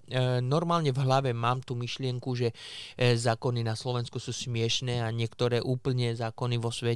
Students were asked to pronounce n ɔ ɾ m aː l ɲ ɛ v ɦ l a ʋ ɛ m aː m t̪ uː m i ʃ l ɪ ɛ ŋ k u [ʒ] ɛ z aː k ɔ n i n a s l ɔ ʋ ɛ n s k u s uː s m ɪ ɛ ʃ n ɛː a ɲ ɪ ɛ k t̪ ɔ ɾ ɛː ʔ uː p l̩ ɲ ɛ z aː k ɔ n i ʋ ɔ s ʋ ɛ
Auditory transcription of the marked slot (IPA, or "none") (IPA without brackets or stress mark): ʒ